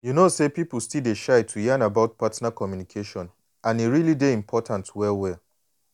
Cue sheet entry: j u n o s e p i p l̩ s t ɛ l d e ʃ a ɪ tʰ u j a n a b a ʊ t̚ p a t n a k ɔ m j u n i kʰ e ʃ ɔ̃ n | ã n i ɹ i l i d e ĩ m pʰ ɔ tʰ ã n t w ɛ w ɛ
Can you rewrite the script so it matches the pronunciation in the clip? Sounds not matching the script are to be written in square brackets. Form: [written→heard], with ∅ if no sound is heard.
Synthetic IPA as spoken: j u n o s e p i p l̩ s t [ɛ→i] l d e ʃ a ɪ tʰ u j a n a b a ʊ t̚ p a t n a k ɔ m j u n i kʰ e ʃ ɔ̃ n | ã n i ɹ i l i d e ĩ m pʰ ɔ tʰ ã n t w ɛ w ɛ